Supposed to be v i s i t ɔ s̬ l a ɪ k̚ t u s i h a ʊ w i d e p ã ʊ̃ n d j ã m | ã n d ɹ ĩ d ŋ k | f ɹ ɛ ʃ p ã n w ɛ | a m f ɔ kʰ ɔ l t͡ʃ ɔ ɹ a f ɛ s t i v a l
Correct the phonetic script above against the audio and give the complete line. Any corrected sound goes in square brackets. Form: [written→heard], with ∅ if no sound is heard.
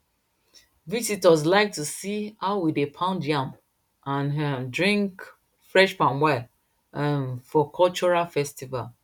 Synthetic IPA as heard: v i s i t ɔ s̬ l a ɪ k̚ t u s i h a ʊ w i d e [p→pʰ] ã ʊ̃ n d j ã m | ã n d ɹ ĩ [d→∅] ŋ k | f ɹ ɛ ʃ p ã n w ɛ | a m f ɔ kʰ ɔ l t͡ʃ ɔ ɹ a f ɛ s t i v a l